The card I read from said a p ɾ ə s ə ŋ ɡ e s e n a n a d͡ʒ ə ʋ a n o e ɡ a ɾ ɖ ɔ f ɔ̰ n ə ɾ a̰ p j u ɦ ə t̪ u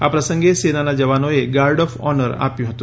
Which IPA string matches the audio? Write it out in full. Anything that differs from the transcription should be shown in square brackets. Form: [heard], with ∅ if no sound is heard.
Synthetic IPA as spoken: a p ɾ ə s ə ŋ ɡ e s e n a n a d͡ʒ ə ʋ a n o e ɡ a ɾ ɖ ɔ f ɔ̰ n ə ɾ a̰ p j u ɦ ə t̪ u